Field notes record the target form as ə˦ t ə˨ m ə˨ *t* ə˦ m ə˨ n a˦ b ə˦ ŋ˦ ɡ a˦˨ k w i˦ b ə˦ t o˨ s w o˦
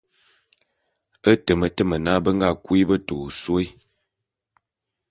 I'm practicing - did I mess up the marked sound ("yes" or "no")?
no